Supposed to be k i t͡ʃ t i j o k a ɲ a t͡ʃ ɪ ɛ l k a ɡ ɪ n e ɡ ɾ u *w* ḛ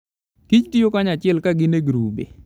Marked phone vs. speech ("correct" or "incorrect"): incorrect